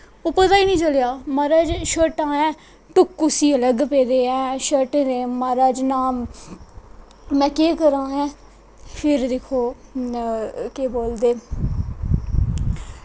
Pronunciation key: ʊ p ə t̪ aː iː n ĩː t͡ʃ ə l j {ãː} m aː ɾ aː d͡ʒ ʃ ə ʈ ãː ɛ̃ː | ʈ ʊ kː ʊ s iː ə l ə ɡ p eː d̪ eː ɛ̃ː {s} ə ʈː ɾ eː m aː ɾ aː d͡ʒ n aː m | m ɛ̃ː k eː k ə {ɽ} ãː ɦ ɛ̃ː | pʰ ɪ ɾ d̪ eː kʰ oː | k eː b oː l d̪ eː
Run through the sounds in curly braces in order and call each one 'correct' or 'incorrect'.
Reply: incorrect: aː, incorrect: ʃ, incorrect: ɾ

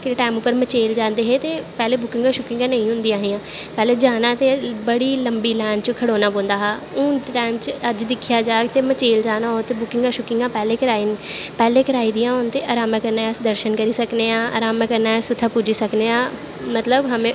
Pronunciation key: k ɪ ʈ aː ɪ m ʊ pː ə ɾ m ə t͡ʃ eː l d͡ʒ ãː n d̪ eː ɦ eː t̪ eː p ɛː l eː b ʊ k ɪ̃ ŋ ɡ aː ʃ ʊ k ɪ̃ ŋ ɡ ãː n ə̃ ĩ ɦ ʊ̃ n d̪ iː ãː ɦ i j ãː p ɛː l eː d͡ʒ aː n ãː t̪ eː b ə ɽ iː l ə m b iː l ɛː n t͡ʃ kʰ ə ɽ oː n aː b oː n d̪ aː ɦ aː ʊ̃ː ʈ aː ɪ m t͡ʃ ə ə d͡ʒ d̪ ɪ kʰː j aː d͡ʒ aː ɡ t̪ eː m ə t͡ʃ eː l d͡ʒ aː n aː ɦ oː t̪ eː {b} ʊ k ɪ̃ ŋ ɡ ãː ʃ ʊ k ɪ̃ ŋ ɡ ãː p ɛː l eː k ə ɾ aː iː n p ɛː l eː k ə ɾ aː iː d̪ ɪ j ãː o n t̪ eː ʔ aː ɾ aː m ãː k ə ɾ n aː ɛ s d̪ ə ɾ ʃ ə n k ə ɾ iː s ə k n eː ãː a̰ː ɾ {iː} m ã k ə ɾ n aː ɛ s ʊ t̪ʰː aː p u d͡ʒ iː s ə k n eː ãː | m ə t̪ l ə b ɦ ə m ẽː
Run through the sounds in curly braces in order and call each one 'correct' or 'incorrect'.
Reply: correct, incorrect: aː

